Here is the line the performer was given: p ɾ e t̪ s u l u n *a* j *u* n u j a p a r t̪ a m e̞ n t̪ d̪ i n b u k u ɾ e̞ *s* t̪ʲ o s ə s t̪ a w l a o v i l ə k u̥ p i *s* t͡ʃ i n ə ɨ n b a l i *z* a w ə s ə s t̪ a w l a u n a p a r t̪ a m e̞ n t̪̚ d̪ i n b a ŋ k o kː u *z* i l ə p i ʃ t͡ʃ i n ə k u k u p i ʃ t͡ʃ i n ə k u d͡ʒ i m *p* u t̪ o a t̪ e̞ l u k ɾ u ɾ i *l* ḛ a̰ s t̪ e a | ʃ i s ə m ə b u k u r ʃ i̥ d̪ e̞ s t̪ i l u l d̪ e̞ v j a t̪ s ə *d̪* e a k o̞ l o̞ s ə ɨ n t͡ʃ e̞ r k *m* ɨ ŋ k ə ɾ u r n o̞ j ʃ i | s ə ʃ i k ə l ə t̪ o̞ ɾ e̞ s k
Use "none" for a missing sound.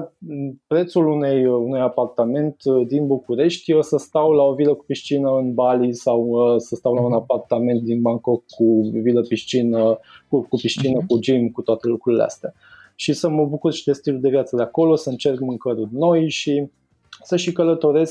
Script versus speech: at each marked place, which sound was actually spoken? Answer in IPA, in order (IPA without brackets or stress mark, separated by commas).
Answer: e, u, ʃ, ʃ, s, v, k, l, d̪, m